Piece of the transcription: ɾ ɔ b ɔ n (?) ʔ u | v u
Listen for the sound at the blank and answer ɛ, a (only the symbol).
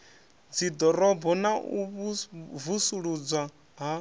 a